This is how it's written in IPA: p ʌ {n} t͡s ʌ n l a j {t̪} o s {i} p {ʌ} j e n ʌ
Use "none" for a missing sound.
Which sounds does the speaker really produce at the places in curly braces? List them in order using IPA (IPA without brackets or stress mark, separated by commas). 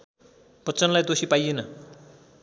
none, d̪, i, a